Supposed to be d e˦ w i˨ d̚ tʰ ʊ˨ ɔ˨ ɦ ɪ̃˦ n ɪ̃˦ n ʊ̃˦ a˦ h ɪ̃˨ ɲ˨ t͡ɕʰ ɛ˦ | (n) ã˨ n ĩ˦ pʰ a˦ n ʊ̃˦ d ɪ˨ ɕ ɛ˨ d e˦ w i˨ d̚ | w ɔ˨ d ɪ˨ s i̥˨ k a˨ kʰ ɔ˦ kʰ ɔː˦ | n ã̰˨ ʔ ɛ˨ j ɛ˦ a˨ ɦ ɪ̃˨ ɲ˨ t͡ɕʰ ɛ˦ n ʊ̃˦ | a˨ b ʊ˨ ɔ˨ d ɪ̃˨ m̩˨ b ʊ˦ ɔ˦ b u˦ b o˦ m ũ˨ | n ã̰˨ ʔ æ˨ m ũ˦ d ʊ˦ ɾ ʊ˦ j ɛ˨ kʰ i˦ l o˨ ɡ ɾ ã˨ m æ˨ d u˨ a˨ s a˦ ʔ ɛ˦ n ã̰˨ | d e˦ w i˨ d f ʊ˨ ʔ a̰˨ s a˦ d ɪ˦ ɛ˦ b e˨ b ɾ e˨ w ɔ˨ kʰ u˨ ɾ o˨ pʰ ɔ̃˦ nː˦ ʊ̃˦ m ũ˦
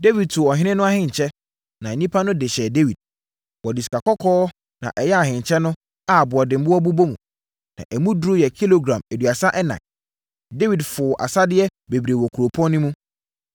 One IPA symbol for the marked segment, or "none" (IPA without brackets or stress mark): n